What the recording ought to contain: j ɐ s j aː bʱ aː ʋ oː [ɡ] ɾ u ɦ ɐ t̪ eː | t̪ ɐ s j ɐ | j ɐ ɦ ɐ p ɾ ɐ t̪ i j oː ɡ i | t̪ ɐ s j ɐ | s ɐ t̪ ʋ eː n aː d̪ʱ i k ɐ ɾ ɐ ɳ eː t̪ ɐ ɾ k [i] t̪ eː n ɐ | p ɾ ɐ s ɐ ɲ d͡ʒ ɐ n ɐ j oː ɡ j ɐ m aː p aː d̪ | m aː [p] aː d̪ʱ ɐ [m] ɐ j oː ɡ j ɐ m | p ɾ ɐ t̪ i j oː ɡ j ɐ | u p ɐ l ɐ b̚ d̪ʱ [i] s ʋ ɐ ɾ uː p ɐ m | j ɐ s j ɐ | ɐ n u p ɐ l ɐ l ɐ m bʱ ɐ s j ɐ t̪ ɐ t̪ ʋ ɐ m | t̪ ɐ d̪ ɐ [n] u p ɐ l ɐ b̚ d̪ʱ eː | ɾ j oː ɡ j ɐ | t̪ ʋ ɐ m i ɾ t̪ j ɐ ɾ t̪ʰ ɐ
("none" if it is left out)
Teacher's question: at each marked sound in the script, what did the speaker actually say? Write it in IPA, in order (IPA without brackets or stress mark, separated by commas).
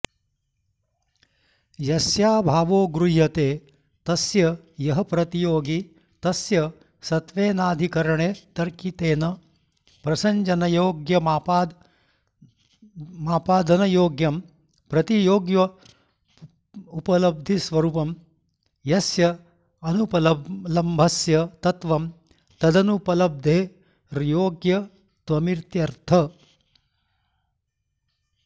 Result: ɡ, i, p, n, i, n